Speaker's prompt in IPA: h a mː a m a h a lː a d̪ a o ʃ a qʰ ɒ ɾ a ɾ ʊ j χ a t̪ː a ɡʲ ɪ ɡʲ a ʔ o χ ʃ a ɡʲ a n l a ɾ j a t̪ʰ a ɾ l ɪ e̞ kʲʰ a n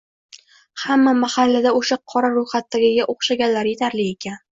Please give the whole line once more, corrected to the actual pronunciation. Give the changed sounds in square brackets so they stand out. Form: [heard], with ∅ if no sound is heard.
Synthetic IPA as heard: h a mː a m a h a lː a d̪ a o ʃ a qʰ ɒ ɾ a ɾ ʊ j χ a t̪ː a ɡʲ ɪ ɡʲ a ʔ o χ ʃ a ɡʲ a n l a ɾ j [e] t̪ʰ a ɾ l ɪ e̞ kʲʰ a n